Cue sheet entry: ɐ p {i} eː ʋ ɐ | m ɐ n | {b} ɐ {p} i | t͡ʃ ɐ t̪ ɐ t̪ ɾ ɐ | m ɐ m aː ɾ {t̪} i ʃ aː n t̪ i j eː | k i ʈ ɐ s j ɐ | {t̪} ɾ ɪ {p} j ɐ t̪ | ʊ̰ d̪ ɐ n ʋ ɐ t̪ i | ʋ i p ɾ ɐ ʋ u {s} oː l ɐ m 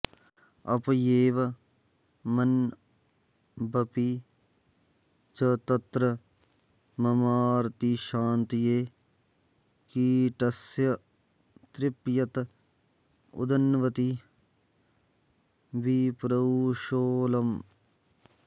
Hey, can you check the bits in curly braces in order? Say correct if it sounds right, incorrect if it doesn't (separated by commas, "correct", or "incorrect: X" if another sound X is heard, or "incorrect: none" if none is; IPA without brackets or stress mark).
incorrect: j, correct, correct, correct, correct, correct, incorrect: ʃ